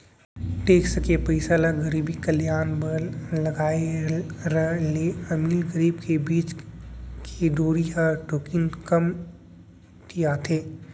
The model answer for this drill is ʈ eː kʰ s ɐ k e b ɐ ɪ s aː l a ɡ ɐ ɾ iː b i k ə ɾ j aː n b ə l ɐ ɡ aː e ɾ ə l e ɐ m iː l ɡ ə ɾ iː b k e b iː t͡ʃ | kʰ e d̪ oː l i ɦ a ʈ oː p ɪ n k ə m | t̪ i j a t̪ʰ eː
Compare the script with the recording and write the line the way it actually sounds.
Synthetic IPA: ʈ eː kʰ s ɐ k e p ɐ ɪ s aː l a ɡ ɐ ɾ iː b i k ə l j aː n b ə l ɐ ɡ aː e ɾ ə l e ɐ m iː l ɡ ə ɾ iː b k e b iː t͡ʃ | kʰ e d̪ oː ɾ i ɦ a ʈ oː k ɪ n k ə m | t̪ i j a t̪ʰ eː

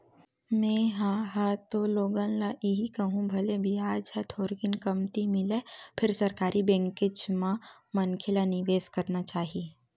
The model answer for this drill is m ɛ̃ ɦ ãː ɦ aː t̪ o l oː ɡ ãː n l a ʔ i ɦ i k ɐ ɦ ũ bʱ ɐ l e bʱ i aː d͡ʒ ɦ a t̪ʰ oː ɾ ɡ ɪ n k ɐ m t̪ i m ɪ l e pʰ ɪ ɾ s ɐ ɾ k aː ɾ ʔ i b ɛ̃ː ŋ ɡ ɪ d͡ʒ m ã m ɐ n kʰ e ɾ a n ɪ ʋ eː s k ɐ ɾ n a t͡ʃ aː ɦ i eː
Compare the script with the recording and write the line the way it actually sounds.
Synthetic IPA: m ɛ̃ ɦ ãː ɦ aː t̪ o l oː ɡ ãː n l a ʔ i ɦ i k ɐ ɦ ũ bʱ ɐ l e bʱ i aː d͡ʒ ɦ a t̪ʰ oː ɾ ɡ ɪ n k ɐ m t̪ i m ɪ l e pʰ ɪ ɾ s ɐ ɾ k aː ɾ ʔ i b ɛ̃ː ŋ k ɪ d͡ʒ m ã m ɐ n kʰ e l a n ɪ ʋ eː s k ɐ ɾ n a t͡ʃ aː ɦ i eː

